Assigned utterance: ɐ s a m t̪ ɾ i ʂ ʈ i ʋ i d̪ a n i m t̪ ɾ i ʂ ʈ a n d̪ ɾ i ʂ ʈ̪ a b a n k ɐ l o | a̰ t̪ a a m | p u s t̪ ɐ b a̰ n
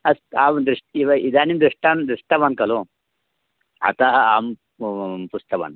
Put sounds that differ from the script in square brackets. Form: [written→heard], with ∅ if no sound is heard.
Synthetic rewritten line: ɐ s a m [t̪→d̪] ɾ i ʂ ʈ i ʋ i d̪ a n i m [t̪→d̪] ɾ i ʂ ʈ a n d̪ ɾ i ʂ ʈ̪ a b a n k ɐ l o | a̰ t̪ a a m | p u s t̪ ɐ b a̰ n